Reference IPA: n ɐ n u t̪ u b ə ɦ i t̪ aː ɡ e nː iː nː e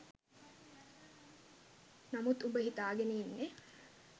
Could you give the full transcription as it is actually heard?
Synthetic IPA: n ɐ m u t̪ u b ə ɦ i t̪ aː ɡ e n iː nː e